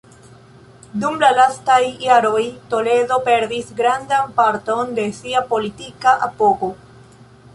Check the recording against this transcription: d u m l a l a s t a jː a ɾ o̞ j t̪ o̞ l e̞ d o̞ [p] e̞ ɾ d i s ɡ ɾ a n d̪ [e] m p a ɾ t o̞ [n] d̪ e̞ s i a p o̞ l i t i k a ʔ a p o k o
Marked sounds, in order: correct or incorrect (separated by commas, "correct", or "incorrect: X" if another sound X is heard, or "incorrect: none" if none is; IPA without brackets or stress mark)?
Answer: correct, incorrect: a, correct